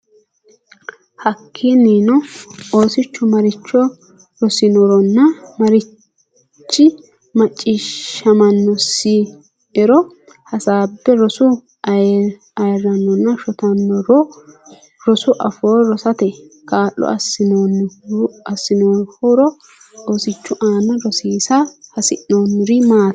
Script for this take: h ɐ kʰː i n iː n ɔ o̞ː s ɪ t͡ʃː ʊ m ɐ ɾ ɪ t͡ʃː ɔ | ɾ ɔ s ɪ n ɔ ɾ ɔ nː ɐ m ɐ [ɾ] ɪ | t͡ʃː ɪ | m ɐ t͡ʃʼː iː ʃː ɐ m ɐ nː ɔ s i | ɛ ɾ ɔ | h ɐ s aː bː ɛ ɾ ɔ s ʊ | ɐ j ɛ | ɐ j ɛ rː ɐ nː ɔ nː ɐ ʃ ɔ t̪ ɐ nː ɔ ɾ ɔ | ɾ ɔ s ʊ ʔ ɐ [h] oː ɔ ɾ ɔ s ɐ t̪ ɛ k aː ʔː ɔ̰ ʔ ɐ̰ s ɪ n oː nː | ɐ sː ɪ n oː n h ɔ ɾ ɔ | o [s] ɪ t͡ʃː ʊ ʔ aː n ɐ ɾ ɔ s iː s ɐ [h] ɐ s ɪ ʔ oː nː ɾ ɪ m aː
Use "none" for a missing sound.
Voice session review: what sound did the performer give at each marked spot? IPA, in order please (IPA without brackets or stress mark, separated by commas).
ɾ, f, s, h